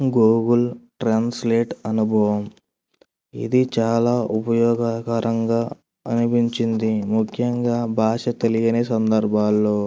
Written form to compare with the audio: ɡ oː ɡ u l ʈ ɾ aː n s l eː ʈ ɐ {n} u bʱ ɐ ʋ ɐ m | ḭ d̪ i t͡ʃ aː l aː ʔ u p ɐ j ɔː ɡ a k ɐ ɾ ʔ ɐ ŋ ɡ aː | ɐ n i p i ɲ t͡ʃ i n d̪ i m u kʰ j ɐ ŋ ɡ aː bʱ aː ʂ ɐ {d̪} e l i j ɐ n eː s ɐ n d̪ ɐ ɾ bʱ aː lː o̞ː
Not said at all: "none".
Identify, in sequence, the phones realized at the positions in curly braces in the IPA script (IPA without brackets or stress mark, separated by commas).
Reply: n, t̪